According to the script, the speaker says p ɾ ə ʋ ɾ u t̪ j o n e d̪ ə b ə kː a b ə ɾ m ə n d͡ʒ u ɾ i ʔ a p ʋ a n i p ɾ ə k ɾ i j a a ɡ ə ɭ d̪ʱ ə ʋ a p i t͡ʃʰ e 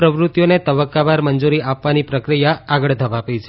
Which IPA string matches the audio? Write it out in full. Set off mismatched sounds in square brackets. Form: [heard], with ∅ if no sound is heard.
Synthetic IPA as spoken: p ɾ ə ʋ ɾ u t̪ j o n e [t̪] ə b ə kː a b [a] ɾ m ə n d͡ʒ u ɾ i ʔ a p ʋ a n i p ɾ ə k ɾ i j a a ɡ ə ɭ d̪ʱ ə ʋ a p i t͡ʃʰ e